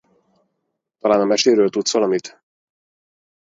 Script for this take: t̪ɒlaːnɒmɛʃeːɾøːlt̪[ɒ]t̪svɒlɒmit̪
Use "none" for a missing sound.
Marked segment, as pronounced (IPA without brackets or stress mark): u